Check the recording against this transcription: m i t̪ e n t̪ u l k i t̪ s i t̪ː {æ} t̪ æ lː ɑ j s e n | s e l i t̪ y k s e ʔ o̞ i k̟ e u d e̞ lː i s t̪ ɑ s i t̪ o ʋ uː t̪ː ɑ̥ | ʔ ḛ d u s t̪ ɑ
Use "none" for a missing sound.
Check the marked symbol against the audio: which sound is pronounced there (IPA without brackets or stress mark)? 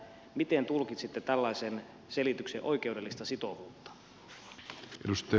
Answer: e